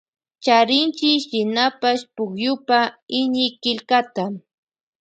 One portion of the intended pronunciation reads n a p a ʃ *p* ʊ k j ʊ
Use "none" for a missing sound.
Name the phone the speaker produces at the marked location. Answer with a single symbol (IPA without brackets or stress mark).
p